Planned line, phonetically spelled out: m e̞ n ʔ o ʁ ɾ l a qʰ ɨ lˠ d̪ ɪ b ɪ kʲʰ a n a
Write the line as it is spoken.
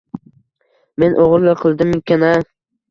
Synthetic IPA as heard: m e̞ n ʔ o ʁ ɾ l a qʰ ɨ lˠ d̪ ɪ m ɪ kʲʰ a n a